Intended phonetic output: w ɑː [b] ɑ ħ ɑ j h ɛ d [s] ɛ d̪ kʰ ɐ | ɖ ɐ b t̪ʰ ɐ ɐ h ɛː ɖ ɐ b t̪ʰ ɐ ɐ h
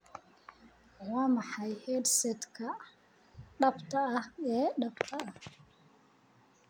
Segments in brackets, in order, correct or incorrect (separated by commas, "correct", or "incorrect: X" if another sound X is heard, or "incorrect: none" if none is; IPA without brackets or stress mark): incorrect: m, correct